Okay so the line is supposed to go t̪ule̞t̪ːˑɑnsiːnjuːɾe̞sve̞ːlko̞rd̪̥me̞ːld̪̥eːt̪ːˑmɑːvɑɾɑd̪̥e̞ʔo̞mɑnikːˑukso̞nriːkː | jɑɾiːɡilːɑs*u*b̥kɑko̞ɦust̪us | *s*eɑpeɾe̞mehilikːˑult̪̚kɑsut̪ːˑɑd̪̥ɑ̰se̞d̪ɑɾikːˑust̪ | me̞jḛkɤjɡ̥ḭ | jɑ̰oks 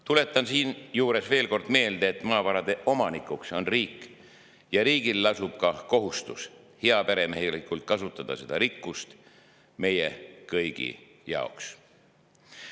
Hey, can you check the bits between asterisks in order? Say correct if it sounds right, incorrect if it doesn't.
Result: correct, incorrect

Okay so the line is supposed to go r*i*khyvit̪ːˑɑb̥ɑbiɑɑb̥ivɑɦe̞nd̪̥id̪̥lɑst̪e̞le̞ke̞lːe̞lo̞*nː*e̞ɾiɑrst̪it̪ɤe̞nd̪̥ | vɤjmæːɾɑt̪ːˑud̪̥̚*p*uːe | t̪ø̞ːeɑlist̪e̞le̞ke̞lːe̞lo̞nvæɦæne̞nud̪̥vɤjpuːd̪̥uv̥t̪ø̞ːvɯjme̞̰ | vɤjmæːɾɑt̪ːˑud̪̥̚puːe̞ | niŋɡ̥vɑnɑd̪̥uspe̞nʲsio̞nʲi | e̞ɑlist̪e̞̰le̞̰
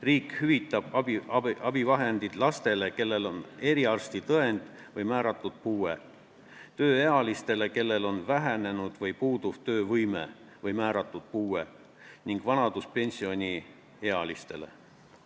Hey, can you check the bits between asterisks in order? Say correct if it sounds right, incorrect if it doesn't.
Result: incorrect, incorrect, correct

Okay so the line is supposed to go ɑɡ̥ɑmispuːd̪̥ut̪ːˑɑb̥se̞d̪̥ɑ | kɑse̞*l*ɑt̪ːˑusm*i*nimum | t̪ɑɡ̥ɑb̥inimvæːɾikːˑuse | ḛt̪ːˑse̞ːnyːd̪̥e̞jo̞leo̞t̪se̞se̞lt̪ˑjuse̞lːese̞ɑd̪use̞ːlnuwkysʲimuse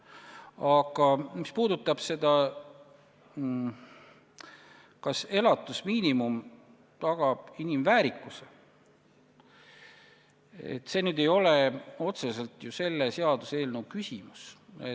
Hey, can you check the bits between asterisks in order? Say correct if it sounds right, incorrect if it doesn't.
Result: correct, incorrect

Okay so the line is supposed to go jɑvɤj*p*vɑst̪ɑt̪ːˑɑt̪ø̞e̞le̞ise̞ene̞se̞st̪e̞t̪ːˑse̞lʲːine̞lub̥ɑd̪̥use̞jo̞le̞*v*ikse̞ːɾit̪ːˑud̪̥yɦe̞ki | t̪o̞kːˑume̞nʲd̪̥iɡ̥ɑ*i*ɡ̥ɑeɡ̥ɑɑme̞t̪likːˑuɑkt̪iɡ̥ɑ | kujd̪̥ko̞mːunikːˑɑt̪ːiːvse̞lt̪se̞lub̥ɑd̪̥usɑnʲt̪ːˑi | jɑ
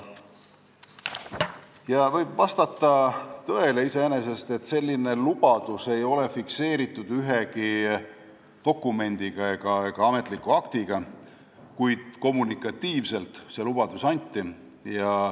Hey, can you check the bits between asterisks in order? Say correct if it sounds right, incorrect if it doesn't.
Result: incorrect, incorrect, incorrect

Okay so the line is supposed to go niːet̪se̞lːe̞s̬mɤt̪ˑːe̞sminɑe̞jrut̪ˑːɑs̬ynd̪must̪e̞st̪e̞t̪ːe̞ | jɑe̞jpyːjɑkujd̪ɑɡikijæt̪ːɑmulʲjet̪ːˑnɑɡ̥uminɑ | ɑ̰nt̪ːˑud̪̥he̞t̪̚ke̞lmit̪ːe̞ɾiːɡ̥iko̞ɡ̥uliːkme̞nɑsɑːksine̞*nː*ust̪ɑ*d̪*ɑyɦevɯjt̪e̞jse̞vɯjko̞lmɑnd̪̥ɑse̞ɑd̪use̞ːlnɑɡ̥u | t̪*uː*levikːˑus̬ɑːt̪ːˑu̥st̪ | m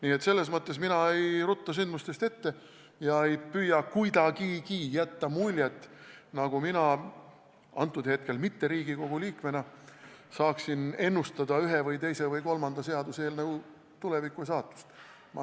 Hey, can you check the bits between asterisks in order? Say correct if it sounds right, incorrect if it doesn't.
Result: correct, correct, incorrect

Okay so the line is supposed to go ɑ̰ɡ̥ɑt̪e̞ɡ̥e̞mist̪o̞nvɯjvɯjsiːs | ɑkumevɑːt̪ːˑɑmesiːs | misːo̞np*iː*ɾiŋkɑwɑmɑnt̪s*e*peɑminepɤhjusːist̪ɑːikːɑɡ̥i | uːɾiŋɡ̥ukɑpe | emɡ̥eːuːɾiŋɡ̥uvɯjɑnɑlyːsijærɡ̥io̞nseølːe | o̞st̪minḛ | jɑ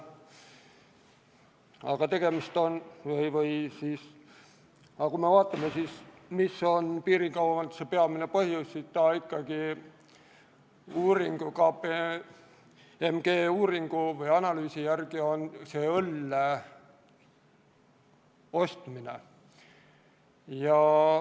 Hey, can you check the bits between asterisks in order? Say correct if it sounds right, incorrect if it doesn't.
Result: correct, correct

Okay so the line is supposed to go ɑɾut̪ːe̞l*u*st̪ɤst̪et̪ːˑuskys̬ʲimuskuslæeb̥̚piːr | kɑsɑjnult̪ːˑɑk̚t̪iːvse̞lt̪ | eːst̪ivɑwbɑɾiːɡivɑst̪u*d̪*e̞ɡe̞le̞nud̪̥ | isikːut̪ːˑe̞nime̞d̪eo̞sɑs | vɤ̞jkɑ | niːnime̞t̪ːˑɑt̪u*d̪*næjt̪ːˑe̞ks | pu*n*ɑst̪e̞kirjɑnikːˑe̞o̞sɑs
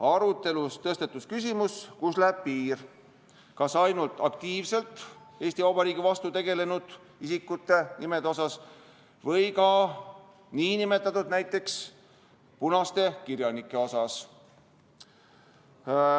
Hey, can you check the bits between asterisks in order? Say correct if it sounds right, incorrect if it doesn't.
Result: correct, incorrect, correct, correct

